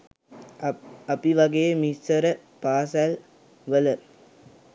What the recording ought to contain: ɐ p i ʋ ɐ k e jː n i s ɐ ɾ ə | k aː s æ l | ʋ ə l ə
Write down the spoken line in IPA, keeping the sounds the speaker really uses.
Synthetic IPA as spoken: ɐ p i ʋ ɐ ɡ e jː m i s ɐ ɾ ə | p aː s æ l | ʋ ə l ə